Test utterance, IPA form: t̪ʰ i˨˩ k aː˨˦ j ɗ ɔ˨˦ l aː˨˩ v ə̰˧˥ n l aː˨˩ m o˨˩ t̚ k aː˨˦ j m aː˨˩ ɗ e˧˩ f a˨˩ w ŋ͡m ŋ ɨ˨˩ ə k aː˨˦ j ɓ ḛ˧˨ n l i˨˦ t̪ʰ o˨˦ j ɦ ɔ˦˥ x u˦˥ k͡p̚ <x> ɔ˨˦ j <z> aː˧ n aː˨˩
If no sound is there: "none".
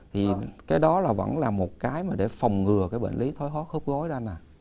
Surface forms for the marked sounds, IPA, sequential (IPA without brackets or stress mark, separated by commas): ɣ, z